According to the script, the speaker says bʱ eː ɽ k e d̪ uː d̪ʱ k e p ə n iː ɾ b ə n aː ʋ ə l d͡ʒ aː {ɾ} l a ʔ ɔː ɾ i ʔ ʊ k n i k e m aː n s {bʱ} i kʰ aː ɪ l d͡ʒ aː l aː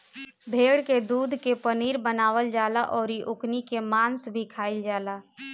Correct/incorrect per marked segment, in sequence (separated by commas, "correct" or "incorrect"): incorrect, correct